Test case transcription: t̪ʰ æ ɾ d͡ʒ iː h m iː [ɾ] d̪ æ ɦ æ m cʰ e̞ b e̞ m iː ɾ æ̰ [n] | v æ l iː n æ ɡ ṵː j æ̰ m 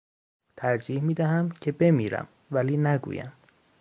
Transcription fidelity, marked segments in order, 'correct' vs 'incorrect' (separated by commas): incorrect, incorrect